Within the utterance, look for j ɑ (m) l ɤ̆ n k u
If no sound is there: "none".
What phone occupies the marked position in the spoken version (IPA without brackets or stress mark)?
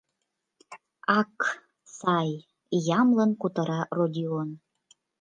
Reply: m